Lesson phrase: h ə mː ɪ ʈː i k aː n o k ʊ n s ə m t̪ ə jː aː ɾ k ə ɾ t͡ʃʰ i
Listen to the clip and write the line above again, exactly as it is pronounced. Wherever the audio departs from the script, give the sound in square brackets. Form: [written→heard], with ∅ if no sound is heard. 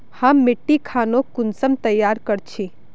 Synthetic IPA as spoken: h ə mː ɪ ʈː i [k→kʰ] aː n o k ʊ n s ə m t̪ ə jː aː ɾ k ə ɾ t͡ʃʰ i